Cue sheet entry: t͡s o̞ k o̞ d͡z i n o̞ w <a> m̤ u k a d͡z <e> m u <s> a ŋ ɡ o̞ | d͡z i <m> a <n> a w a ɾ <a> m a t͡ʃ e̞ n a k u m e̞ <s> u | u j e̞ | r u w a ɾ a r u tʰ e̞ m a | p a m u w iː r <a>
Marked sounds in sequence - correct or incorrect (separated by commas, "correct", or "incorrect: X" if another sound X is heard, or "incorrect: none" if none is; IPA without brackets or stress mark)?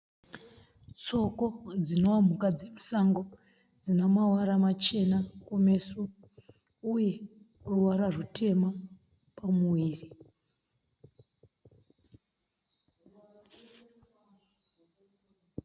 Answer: correct, correct, correct, incorrect: n, incorrect: m, correct, correct, incorrect: i